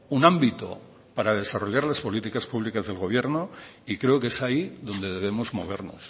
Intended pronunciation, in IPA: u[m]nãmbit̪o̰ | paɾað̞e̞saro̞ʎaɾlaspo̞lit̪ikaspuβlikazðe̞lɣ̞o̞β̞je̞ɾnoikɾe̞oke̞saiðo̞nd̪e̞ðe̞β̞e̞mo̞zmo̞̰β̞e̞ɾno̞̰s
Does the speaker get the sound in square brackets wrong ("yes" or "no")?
yes